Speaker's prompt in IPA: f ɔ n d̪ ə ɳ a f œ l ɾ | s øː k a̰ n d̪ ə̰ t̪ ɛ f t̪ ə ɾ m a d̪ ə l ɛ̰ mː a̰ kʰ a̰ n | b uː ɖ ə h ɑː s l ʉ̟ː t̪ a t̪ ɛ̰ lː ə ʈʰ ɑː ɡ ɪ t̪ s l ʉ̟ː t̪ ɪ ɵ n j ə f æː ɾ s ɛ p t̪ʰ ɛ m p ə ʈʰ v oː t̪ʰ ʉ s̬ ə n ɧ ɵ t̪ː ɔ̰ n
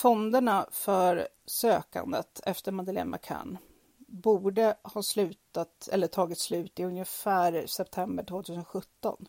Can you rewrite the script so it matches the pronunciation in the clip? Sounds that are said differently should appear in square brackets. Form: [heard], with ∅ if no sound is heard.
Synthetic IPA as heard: f ɔ n d̪ ə ɳ a f œ [∅] ɾ | s øː k a̰ n d̪ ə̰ t̪ ɛ f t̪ ə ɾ m a d̪ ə l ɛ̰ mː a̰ kʰ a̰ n | b uː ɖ ə h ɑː s l ʉ̟ː t̪ a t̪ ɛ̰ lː ə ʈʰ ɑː ɡ ɪ t̪ s l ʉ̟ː t̪ ɪ ɵ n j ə f æː ɾ s ɛ p t̪ʰ ɛ m [b] ə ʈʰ v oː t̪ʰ ʉ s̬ ə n ɧ ɵ t̪ː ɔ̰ n